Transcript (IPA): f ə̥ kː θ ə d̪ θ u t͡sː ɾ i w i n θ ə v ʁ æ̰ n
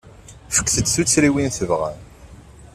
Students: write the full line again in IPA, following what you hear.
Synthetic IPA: f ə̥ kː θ ə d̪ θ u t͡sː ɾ i w i n θ ə v ʁ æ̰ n